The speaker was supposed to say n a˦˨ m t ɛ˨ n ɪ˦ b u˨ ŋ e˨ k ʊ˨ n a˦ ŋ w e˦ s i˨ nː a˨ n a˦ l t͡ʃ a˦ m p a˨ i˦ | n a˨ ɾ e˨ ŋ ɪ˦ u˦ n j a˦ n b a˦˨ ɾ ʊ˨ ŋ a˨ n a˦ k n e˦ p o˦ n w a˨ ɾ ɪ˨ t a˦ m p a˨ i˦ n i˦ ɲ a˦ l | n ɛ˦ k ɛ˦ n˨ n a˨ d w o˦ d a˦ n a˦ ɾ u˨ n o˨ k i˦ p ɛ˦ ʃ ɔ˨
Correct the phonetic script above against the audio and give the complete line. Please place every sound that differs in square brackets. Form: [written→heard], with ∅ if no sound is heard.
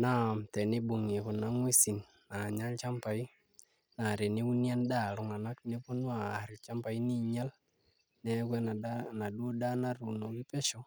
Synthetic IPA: n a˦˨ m t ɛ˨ n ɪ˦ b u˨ ŋ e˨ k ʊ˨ n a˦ ŋ w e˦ s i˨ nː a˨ [n→ɲ] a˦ l t͡ʃ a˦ m p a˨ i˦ | n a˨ ɾ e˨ [ŋ→n] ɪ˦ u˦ n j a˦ n [b→d] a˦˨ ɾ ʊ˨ ŋ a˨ n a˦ k n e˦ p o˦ n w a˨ ɾ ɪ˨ [t→t͡ʃ] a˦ m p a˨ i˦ n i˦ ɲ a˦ l | n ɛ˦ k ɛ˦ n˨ n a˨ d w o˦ d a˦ n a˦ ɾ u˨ n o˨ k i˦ p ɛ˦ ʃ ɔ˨